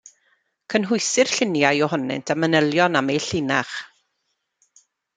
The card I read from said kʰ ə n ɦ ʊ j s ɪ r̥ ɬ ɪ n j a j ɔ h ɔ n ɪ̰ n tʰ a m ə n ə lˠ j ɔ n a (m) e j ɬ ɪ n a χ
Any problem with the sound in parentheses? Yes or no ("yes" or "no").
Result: no